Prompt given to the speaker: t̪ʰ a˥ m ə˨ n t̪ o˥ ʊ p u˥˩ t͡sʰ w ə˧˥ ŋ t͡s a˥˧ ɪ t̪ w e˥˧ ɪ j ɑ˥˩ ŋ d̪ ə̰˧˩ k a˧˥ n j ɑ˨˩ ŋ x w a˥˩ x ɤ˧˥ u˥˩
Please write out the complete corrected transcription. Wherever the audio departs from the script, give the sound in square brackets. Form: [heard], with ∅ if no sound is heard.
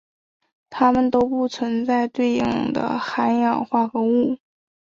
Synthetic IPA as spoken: t̪ʰ a˥ m ə˨ n t̪ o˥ ʊ p u˥˩ t͡sʰ w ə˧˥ [n] t͡s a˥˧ ɪ t̪ w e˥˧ ɪ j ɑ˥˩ ŋ d̪ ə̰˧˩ [x] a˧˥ n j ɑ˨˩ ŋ x w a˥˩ x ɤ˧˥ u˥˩